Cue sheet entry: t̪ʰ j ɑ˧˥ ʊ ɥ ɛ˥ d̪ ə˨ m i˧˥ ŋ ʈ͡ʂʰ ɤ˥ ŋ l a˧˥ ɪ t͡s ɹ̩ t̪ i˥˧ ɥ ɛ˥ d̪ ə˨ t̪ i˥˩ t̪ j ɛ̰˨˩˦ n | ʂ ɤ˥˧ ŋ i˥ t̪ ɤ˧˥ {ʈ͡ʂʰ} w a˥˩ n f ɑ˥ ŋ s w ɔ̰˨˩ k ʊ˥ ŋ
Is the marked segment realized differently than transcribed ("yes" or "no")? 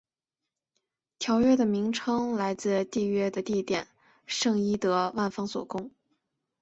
yes